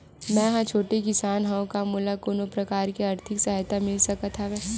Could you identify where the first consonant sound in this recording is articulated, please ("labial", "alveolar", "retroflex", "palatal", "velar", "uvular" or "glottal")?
labial